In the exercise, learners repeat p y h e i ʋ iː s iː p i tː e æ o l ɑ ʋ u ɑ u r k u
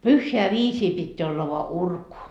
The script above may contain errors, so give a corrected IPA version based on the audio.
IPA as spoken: p y hː e æ ʋ iː s iː p i tː e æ o lː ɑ ʋ o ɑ u r k u